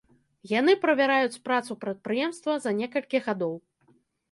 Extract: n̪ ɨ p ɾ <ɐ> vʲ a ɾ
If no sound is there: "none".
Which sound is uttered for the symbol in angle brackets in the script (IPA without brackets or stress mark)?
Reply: ɐ